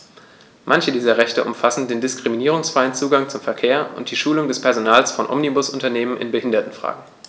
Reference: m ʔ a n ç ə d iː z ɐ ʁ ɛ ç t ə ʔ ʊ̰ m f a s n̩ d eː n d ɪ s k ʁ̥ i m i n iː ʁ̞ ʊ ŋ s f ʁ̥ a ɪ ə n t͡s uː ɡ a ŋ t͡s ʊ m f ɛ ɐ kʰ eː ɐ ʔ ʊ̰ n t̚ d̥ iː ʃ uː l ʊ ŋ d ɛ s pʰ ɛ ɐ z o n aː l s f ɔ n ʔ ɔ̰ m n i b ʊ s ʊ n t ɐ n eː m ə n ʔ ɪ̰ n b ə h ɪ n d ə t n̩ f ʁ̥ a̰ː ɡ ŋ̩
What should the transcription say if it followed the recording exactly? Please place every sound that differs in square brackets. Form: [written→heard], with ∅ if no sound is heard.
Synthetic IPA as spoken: m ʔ a n ç ə d iː z ɐ ʁ ɛ ç t ə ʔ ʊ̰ m f a s n̩ d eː n d ɪ s k ʁ̥ i m i n iː ʁ̞ ʊ ŋ s f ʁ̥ a ɪ ə n t͡s uː ɡ a ŋ t͡s ʊ m f ɛ ɐ kʰ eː ɐ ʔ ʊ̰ n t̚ d̥ iː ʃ uː l ʊ ŋ d ɛ s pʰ ɛ ɐ z o n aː l s f ɔ n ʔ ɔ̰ m n i b ʊ s ʊ n t ɐ n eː m ə n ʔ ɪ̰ n b ə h ɪ n d [ə→ɐ] t n̩ f ʁ̥ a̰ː ɡ ŋ̩

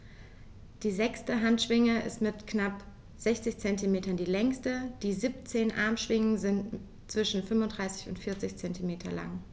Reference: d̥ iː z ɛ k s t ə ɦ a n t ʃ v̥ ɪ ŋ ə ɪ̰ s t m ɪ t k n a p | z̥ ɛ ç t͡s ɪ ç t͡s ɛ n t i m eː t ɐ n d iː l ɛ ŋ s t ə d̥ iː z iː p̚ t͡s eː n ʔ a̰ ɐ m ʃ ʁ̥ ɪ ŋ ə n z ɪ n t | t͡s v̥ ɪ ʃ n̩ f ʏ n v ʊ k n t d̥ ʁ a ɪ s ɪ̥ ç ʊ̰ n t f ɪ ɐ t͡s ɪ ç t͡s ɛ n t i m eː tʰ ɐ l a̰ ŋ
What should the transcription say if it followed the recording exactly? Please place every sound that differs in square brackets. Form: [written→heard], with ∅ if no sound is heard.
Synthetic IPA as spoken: d̥ iː z ɛ k s t ə ɦ a n t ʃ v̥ ɪ ŋ ə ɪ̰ s t m ɪ t k n a p | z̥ ɛ ç t͡s ɪ ç t͡s ɛ n t i m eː t ɐ n d iː l ɛ ŋ s t ə d̥ iː z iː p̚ t͡s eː n ʔ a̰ ɐ m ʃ [ʁ̥→v̥] ɪ ŋ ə n z ɪ n t | t͡s v̥ ɪ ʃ n̩ f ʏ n v ʊ [k→∅] n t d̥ ʁ a ɪ s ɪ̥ ç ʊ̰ n t f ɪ ɐ t͡s ɪ ç t͡s ɛ n t i m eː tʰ ɐ l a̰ ŋ

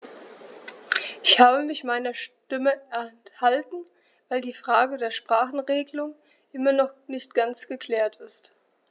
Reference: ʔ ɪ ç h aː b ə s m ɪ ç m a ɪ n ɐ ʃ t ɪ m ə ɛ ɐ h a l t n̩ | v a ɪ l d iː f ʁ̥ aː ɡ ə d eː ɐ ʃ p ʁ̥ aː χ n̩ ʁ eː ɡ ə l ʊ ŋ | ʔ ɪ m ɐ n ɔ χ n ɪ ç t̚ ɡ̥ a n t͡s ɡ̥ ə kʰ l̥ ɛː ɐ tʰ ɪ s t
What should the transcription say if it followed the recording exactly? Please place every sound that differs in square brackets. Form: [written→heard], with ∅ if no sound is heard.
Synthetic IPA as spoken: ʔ ɪ ç h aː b ə [s→∅] m ɪ ç m a ɪ n ɐ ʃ t ɪ m ə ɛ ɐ h a l t n̩ | v a ɪ l d iː f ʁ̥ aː ɡ ə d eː ɐ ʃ p ʁ̥ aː χ n̩ ʁ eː ɡ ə l ʊ ŋ | ʔ ɪ m ɐ n ɔ χ n ɪ ç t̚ ɡ̥ a n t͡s ɡ̥ ə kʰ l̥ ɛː ɐ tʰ ɪ s t

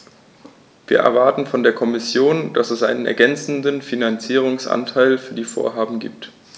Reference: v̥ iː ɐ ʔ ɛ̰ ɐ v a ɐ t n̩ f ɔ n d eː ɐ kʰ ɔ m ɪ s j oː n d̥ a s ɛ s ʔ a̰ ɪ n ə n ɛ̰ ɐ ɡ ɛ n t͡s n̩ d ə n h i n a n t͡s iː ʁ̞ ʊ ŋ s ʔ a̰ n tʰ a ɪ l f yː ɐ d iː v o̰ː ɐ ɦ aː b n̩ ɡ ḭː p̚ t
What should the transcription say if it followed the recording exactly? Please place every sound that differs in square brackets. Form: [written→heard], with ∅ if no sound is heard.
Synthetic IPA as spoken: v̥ iː ɐ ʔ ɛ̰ ɐ v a ɐ t n̩ f ɔ n d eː ɐ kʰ ɔ m ɪ s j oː n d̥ a s ɛ s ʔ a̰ ɪ n ə n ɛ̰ ɐ ɡ ɛ n t͡s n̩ d ə n [h→f] i n a n t͡s iː ʁ̞ ʊ ŋ s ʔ a̰ n tʰ a ɪ l f yː ɐ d iː [v→f] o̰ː ɐ ɦ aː b [n̩→m̩] ɡ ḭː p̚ t

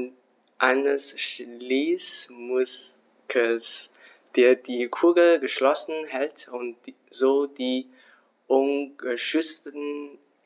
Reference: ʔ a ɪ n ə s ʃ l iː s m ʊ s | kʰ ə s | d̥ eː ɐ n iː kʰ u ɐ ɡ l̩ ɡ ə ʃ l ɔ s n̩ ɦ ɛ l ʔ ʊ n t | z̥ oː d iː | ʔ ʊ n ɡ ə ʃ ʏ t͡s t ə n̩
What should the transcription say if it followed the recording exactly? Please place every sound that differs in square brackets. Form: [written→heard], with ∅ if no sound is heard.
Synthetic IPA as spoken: ʔ a ɪ n ə s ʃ l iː s m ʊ s | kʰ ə s | d̥ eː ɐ [n→d] iː kʰ u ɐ ɡ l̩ ɡ ə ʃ l ɔ s n̩ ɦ ɛ l [ʔ→t] ʊ n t | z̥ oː d iː | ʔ ʊ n ɡ ə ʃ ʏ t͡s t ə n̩

